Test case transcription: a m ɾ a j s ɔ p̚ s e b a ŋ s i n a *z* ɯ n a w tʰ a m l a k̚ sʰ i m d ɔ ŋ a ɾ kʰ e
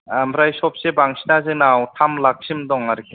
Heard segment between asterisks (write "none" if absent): z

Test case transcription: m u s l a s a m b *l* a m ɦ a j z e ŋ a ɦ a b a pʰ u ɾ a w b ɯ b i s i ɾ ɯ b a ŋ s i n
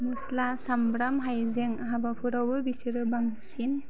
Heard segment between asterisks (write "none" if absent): ɾ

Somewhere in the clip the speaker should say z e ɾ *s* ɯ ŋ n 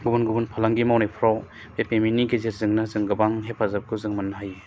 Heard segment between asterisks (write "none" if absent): z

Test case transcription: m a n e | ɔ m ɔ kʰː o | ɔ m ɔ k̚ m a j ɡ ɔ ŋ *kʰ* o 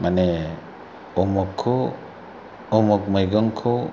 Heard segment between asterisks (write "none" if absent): kʰ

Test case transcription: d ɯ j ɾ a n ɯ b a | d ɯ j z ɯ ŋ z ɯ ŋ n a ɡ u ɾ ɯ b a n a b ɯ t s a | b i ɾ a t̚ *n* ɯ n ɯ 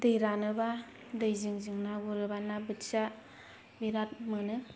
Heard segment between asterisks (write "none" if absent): m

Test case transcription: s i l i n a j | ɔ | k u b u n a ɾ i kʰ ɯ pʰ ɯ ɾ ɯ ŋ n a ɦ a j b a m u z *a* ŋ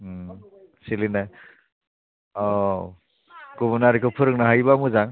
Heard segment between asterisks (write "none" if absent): a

